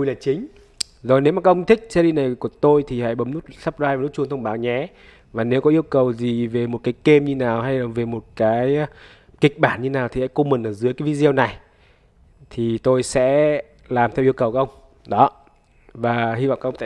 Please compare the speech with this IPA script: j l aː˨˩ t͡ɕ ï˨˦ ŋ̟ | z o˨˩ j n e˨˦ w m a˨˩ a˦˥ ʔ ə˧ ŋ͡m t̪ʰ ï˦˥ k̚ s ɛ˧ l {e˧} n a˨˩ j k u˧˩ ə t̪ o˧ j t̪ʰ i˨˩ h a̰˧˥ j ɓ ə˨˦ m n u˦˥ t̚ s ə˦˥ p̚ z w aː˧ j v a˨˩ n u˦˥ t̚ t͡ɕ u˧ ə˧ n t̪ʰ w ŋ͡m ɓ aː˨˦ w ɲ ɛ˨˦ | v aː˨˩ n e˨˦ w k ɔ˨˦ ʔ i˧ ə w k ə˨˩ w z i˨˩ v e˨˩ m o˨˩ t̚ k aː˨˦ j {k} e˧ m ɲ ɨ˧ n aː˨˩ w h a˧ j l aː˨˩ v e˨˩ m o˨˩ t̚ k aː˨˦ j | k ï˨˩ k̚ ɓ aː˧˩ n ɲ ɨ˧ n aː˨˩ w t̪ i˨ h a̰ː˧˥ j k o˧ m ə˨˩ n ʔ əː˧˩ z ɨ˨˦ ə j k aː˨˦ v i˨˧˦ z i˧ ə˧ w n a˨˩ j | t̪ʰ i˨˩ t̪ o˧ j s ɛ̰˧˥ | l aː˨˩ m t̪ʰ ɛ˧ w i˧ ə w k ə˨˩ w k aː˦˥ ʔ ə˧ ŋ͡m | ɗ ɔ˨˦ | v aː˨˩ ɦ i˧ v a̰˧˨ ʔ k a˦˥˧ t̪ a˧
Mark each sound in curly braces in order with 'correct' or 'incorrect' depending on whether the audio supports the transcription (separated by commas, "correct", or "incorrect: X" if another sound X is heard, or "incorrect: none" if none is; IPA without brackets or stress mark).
incorrect: i˧, correct